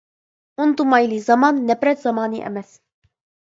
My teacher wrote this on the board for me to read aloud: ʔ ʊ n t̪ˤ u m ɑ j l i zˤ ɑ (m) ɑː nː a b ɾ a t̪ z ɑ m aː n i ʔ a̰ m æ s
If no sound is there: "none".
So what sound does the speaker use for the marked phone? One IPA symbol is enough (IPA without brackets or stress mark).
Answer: m